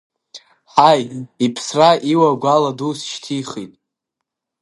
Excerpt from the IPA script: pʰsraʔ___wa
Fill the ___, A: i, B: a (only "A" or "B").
A